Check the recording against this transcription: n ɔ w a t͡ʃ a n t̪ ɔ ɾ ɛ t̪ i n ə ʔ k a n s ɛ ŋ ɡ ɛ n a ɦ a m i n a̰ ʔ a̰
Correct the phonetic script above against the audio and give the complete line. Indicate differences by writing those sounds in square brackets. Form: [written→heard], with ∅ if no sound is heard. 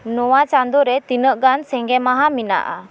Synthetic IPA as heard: n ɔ w a t͡ʃ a n [t̪→d̪] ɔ ɾ ɛ t̪ i n ə ʔ [k→ɡ] a n s ɛ ŋ ɡ ɛ [n→m] a ɦ a m i n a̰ ʔ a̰